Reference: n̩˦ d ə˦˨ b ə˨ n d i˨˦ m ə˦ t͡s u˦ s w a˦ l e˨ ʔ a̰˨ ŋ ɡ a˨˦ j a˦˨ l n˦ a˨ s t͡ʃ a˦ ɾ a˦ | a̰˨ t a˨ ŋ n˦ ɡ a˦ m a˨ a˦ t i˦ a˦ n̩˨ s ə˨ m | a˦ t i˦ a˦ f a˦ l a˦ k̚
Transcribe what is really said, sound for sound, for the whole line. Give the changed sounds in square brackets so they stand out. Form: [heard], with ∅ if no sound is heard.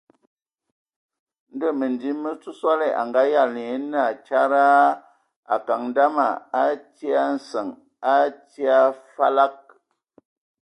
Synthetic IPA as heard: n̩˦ d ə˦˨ [m] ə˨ n d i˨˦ m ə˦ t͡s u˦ s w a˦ l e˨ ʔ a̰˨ ŋ ɡ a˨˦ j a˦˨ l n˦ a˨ [∅] t͡ʃ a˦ ɾ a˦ | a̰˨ [k] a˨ ŋ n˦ [d] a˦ m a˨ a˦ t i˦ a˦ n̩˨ s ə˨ [ŋ] | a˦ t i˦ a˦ f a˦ l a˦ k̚